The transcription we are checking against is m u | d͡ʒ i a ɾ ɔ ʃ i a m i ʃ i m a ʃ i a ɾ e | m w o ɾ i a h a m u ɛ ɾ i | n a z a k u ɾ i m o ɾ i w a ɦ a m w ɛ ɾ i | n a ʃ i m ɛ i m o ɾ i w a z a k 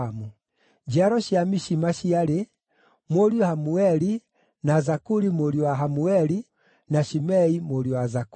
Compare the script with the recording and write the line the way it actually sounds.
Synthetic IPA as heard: m u | d͡ʒ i a ɾ ɔ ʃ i a m i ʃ i m a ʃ i a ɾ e | m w o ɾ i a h a m u ɛ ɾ i | n a z a k u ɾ i m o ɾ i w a ɦ a m u ɛ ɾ i | n a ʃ i m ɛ i m o ɾ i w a z a k